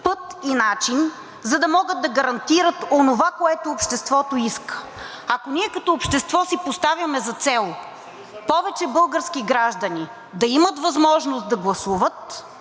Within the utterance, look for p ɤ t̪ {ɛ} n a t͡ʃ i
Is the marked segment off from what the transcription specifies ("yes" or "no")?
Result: yes